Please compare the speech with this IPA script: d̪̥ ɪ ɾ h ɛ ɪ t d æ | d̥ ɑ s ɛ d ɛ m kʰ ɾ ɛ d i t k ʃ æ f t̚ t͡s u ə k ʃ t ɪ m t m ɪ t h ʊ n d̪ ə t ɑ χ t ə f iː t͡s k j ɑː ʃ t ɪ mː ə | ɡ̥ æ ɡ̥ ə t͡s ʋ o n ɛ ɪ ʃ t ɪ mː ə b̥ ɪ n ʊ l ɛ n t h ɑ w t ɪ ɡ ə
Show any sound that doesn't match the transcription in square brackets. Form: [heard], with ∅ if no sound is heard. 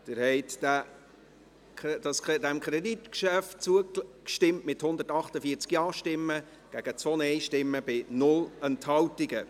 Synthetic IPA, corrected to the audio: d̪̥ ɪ ɾ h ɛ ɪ t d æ | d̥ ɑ s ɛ d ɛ m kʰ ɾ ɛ d i t k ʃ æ f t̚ t͡s u ə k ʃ t ɪ m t m ɪ t h ʊ n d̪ ə t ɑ χ t ə f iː t͡s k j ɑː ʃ t ɪ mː ə | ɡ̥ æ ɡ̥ ə t͡s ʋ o n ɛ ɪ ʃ t ɪ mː ə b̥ ɪ n ʊ l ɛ n t h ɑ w t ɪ ɡ ə